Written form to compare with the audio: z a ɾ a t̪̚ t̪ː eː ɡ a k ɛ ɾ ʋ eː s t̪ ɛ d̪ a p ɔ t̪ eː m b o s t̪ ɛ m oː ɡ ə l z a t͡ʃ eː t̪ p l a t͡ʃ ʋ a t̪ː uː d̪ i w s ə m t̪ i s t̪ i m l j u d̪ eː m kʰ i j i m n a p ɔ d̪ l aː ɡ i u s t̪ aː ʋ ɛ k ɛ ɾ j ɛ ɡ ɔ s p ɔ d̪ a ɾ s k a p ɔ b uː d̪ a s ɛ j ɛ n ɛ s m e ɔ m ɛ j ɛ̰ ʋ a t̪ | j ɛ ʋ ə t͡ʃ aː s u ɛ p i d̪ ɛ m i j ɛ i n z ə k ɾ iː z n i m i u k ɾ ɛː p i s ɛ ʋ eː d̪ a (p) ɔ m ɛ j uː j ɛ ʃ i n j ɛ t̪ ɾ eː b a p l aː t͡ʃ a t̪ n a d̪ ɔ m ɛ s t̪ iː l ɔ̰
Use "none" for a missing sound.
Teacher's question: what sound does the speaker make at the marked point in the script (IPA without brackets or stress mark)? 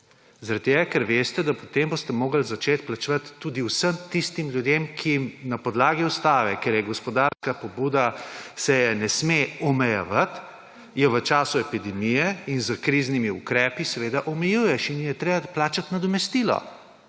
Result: ʔ